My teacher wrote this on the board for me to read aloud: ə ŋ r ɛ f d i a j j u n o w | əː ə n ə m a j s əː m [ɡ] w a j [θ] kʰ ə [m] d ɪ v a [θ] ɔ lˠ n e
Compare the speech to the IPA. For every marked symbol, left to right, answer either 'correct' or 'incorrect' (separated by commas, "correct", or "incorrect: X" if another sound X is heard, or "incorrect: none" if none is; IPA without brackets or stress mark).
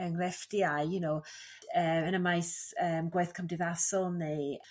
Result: correct, correct, correct, incorrect: s